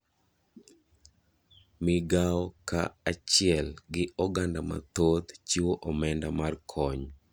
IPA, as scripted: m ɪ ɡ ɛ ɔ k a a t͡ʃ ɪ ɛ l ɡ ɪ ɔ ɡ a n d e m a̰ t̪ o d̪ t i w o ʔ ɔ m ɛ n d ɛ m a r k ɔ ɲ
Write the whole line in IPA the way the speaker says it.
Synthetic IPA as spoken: m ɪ ɡ a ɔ k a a t͡ʃ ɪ ɛ l ɡ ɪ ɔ ɡ a n d a m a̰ t̪ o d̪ t͡ʃ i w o ʔ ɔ m ɛ n d a m a r kʰ ɔ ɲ